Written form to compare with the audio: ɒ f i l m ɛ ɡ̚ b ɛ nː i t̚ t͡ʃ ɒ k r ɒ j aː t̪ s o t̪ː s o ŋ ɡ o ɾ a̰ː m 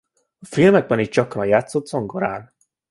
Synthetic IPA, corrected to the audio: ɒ f i l m ɛ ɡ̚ b ɛ n i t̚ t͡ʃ ɒ k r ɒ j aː t̪ s o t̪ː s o ŋ ɡ o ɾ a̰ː n